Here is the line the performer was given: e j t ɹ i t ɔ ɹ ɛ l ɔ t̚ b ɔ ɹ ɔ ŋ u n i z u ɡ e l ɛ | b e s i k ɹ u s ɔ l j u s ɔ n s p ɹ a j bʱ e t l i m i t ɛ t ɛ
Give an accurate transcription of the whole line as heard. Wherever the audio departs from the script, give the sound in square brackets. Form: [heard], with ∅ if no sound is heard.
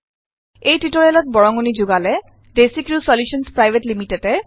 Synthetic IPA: e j t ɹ i t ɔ ɹ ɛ l ɔ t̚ b ɔ ɹ ɔ ŋ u n i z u ɡ [a] l ɛ | [d] e s i k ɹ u s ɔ l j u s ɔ n s p ɹ a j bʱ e t l i m i t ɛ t ɛ